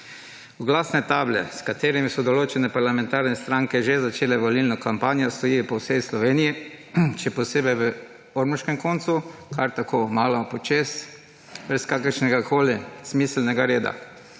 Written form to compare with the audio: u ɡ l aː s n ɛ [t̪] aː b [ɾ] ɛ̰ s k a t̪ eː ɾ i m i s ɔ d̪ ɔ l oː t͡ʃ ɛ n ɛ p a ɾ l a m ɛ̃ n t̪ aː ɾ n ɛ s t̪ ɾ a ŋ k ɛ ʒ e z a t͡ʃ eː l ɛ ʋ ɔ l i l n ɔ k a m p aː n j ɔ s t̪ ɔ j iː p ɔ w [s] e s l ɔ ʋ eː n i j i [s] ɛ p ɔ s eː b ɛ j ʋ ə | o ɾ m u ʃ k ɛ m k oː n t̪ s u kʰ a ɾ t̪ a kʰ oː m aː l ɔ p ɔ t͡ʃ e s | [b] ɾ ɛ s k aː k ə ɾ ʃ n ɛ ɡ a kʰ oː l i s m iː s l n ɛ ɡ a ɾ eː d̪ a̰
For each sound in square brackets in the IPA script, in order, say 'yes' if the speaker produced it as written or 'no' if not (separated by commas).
yes, no, yes, no, yes